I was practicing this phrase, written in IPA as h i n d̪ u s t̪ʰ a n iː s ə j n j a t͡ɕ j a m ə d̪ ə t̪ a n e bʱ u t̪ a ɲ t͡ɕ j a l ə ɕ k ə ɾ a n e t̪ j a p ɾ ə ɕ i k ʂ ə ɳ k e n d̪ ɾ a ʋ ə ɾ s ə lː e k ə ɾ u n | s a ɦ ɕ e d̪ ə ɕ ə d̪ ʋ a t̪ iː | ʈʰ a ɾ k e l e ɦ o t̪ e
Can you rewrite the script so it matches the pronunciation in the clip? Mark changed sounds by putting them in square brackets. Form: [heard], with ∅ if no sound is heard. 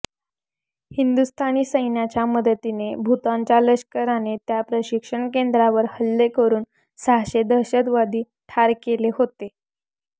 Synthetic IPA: h i n d̪ u s t̪ʰ a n iː s ə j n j a t͡ɕ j a m ə d̪ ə t̪ [i] n e bʱ u t̪ a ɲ t͡ɕ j a l ə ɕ k ə ɾ a n e t̪ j a p ɾ ə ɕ i k ʂ ə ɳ k e n d̪ ɾ a ʋ ə ɾ [h] ə lː e k ə ɾ [uː] n | s a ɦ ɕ e d̪ ə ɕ ə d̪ ʋ a [d̪] iː | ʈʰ a ɾ k e l e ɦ o t̪ e